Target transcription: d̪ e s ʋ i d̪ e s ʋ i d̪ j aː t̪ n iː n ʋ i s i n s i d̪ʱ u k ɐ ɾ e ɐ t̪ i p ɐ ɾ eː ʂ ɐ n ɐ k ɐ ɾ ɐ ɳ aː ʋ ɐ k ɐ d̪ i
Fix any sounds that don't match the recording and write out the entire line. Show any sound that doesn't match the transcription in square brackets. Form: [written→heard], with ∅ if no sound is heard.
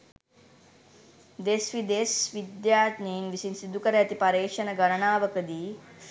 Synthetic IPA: d̪ e s ʋ i d̪ e s ʋ i d̪ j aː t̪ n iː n ʋ i s i n s i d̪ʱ u k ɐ ɾ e ɐ t̪ i p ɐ ɾ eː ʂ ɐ n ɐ [k→ɡ] ɐ ɾ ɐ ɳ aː ʋ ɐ k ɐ d̪ i